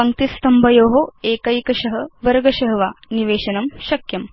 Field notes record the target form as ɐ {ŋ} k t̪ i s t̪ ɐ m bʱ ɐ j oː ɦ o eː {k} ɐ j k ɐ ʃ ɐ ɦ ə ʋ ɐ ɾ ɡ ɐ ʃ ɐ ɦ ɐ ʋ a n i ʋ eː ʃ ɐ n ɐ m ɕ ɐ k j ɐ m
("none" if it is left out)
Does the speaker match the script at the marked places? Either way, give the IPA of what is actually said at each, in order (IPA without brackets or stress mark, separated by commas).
ŋ, k